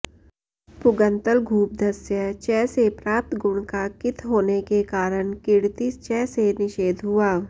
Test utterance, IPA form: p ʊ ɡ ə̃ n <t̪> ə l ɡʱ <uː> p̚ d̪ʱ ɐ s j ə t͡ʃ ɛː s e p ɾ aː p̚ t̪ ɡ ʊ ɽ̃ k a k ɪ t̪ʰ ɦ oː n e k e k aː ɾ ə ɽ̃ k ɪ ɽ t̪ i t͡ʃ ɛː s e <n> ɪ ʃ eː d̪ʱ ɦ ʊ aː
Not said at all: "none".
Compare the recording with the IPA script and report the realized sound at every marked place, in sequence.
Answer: t̪, uː, n

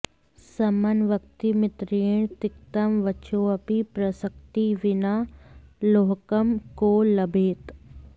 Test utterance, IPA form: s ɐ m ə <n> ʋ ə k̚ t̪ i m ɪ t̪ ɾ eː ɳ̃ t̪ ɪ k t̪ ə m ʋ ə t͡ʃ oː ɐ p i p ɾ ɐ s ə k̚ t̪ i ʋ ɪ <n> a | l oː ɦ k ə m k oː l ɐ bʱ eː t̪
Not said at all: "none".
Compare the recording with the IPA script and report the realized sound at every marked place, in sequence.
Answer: n, n

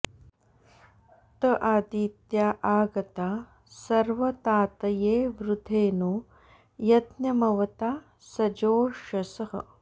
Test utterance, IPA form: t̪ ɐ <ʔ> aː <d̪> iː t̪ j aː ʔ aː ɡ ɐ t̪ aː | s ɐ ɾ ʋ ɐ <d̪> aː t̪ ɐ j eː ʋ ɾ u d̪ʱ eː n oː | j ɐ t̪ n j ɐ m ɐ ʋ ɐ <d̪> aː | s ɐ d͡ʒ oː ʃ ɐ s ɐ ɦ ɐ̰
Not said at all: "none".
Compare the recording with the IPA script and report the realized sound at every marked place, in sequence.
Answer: ʔ, d̪, t̪, t̪

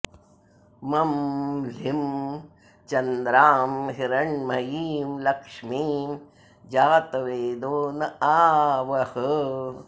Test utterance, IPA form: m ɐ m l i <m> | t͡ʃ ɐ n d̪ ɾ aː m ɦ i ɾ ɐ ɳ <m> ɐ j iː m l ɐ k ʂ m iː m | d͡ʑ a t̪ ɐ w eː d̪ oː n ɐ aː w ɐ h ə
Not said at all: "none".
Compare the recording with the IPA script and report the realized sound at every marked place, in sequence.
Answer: m, m

